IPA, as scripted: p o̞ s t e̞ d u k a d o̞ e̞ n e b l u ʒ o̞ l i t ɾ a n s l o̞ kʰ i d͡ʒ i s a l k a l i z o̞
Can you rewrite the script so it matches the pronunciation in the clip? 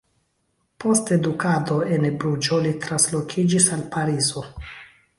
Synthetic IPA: p o̞ s t e̞ d u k a d o̞ e̞ n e b ɾ u d͡ʒ o̞ l i t ɾ a n s l o̞ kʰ i d͡ʒ i s a l p a ɾ i z o̞

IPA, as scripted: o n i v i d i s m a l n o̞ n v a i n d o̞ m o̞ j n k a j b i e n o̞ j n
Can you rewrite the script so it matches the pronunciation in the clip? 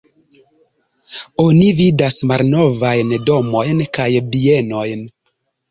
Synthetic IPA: o n i v i d a s m a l n o̞ v a j n d o̞ m o̞ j n k a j b i e n o̞ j n

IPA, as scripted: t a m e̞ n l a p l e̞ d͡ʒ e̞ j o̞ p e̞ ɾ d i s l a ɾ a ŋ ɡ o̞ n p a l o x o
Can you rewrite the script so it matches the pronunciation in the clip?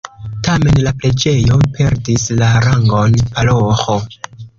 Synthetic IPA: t a m e̞ n l a p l e̞ d͡ʒ e̞ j o̞ p e̞ ɾ d i s l a ɾ a ŋ ɡ o̞ n p a l o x o

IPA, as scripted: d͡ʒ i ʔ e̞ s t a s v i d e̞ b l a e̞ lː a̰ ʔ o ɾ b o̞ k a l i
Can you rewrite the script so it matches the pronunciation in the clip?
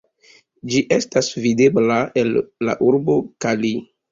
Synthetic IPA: d͡ʒ i ʔ e̞ s t a s v i d e̞ b l a e̞ lː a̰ ʔ u ɾ b o̞ k a l i

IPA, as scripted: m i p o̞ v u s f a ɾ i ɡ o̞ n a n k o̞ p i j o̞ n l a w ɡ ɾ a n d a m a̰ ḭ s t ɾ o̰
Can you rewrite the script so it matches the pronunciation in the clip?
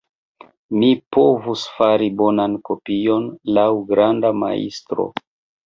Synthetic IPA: m i p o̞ v u s f a ɾ i b o̞ n a n k o̞ p i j o̞ n l a w ɡ ɾ a n d a m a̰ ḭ s t ɾ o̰

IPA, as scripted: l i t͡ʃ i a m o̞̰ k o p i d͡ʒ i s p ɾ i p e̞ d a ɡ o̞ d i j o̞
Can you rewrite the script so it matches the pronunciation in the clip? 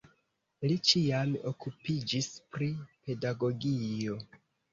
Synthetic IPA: l i t͡ʃ i a m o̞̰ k u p i d͡ʒ i s p ɾ i p e̞ d a ɡ o̞ ɡ i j o̞

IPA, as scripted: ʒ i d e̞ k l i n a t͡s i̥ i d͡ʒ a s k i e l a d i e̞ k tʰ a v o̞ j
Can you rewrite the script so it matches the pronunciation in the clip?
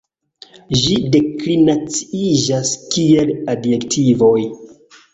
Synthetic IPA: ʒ i d e̞ k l i n a t͡s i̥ i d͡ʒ a s k i e l a d j e̞ k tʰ i v o̞ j

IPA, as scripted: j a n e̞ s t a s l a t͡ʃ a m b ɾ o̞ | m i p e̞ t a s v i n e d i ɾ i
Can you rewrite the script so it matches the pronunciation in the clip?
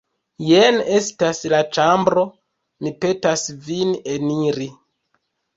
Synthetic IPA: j e n e̞ s t a s l a t͡ʃ a m b ɾ o̞ | m i p e̞ t a s v i n e n i ɾ i

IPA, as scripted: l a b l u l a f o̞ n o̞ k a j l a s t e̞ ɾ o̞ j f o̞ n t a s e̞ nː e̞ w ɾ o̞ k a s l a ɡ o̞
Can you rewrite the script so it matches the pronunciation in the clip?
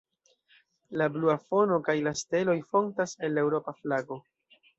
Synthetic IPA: l a b l u a f o̞ n o̞ k a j l a s t e̞ l o̞ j f o̞ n t a s e̞ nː e̞ w ɾ o̞ p a f l a ɡ o̞

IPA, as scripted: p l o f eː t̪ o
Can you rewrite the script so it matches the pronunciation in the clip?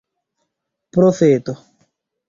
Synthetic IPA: p ɾ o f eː t̪ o

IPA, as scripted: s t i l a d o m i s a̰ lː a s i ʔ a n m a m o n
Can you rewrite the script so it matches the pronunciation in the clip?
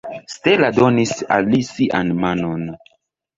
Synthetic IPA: s t e l a d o n i s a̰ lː i s i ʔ a n m a n o n

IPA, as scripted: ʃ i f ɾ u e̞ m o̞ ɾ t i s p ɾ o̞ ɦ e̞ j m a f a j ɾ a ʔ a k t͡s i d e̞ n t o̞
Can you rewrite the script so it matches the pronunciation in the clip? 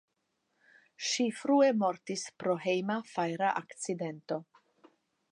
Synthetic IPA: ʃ i f ɾ u e̞ m o̞ ɾ t i s p ɾ o̞ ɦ e̞ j m a f a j ɾ a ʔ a k t͡s i d e̞ n t o̞

